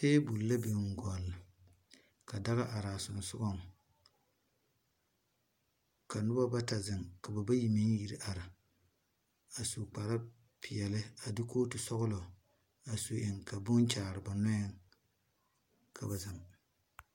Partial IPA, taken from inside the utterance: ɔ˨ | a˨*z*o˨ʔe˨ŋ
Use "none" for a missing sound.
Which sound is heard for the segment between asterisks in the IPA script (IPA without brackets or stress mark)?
s